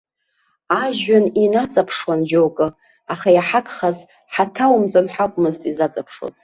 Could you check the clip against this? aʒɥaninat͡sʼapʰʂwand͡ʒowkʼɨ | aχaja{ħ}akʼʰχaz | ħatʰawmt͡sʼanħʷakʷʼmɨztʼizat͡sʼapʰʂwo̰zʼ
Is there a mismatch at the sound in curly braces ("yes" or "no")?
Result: no